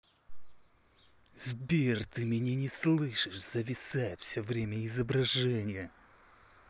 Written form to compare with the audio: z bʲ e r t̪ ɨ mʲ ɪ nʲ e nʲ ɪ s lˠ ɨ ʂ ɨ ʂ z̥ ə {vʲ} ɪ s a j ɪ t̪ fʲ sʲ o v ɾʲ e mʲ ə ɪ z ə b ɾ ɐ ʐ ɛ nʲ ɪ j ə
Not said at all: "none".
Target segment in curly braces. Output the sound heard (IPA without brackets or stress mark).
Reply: vʲ